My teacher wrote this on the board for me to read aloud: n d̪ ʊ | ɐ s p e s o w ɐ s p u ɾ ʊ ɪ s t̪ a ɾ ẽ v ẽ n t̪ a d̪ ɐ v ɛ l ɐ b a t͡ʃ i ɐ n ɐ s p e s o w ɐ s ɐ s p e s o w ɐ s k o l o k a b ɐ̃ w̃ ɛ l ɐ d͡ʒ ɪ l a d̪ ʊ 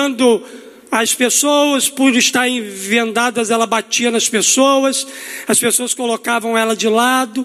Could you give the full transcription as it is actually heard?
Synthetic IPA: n d̪ ʊ | ɐ s p e s o w ɐ s p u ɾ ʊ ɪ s t̪ a ɾ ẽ v ẽ n d̪ a d̪ ɐ z ɛ l ɐ b a t͡ʃ i ɐ n ɐ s p e s o w ɐ s ɐ s p e s o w ɐ s k o l o k a v ɐ̃ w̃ ɛ l ɐ d͡ʒ ɪ l a d̪ ʊ